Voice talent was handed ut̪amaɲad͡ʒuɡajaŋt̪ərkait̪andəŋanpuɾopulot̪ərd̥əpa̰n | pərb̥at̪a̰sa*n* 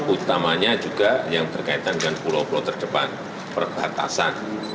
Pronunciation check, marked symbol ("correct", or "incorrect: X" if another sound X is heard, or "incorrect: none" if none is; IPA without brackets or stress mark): correct